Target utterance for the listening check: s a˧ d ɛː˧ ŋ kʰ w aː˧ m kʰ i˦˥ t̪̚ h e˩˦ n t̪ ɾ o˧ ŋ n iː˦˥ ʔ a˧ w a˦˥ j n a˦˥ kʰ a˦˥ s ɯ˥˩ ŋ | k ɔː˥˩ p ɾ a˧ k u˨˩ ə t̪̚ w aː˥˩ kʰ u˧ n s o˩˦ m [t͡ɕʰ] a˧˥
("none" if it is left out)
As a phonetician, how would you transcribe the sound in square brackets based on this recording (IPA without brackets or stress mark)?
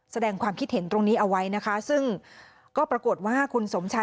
t͡ɕʰ